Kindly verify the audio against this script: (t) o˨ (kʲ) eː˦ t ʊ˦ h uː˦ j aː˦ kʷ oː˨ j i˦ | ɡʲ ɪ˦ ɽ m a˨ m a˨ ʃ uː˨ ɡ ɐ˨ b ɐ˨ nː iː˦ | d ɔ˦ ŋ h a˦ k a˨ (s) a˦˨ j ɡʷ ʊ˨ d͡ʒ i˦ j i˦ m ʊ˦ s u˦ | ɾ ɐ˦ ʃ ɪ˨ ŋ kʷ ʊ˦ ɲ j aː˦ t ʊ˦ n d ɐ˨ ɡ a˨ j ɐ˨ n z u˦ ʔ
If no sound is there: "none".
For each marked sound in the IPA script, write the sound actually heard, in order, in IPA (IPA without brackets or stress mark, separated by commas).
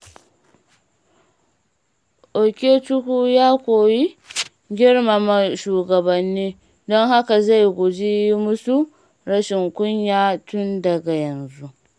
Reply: ʔ, kʲ, z